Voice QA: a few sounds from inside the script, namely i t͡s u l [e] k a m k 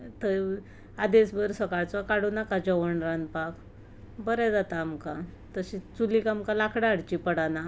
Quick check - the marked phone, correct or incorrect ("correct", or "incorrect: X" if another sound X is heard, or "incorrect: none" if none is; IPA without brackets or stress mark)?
incorrect: i